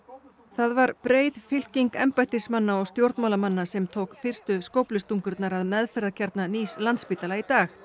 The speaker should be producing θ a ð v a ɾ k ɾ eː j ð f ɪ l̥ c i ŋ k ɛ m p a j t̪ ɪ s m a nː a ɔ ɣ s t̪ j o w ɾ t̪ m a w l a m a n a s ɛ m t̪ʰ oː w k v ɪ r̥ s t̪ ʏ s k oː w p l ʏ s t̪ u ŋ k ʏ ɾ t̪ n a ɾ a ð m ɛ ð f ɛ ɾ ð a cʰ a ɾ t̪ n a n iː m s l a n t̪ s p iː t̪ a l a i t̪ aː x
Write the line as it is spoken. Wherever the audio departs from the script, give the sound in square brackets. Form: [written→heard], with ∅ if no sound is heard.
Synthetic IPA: θ a ð v a ɾ [k→p] ɾ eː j ð f ɪ l̥ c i ŋ k ɛ m p a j t̪ ɪ s m a nː a ɔ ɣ s t̪ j o w ɾ t̪ m a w l a m a [n→nː] a s ɛ m t̪ʰ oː w k [v→f] ɪ r̥ s t̪ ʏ s k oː w p l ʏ s t̪ u ŋ k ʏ ɾ t̪ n a ɾ a ð m ɛ ð f ɛ ɾ ð a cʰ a ɾ t̪ n a n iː [m→∅] s l a n t̪ s p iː t̪ a l a i t̪ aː x